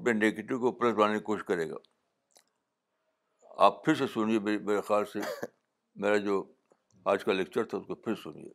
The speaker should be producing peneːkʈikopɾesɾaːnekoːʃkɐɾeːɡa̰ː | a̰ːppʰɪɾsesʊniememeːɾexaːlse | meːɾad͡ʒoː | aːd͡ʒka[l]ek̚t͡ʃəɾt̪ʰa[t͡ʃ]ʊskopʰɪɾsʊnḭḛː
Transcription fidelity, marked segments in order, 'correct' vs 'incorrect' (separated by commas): correct, incorrect